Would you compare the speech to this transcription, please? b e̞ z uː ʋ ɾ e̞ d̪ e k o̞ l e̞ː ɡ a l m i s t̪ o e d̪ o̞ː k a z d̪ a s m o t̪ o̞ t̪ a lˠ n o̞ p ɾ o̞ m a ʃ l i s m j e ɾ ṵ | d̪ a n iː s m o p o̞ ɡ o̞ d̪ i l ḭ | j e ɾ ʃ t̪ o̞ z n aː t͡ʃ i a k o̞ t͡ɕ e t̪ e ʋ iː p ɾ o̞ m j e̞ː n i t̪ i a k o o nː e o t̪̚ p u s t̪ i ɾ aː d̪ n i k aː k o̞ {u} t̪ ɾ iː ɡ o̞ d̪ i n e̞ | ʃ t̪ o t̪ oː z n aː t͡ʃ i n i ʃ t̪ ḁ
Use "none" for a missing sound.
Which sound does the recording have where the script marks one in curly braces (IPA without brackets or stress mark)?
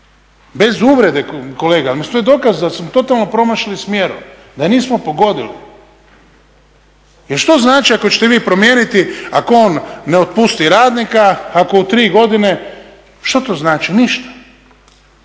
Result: u